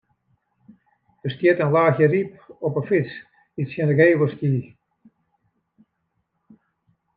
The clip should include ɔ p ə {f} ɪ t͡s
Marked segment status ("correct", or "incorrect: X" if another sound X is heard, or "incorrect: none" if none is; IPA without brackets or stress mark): correct